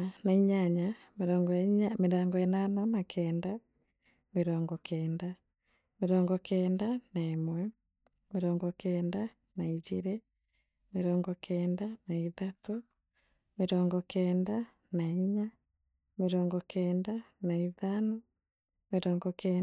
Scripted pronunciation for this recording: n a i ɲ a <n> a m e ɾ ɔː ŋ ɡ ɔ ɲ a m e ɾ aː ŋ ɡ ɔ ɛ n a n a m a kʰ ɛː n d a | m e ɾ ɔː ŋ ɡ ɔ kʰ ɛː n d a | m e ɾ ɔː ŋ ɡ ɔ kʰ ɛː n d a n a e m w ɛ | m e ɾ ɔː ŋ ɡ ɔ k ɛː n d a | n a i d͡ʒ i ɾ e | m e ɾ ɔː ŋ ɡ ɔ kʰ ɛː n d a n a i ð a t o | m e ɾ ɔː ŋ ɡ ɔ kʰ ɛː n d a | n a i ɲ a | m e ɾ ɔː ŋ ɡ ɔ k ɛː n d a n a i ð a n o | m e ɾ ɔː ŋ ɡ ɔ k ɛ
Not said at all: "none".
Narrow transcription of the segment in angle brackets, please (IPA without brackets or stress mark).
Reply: ɲ